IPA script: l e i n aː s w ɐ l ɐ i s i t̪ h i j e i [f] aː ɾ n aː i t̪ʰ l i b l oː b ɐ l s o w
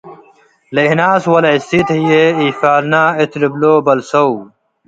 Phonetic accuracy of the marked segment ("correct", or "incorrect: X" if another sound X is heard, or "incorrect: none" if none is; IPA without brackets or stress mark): correct